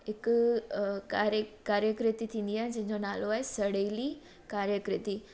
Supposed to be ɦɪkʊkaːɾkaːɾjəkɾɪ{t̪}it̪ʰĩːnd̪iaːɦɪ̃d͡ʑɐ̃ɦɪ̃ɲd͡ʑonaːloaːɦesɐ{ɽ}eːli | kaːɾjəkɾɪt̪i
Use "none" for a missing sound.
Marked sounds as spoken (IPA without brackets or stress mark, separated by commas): t̪, ɽ